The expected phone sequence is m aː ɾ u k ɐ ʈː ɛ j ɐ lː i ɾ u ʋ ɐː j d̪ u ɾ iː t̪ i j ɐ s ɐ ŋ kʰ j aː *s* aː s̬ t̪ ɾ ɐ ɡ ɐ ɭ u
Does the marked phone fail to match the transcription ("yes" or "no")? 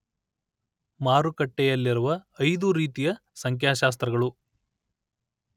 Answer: yes